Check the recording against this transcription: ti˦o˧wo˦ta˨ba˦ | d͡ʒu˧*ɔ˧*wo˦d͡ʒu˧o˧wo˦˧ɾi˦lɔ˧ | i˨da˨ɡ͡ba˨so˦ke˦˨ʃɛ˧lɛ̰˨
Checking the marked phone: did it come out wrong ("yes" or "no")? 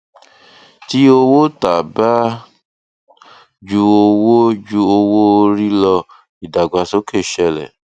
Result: yes